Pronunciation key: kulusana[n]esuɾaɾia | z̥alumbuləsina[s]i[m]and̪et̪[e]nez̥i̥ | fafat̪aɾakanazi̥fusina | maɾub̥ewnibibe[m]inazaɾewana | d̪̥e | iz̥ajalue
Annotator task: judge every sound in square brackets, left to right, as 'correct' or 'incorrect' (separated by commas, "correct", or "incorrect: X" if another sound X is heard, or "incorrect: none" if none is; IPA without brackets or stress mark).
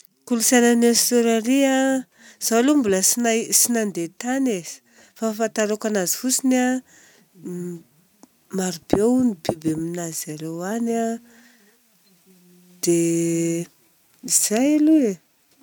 correct, correct, incorrect: n, incorrect: a, correct